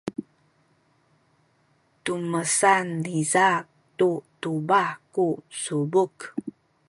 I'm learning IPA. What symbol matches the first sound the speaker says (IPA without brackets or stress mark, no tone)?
t